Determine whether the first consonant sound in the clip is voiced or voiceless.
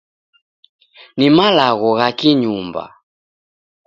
voiced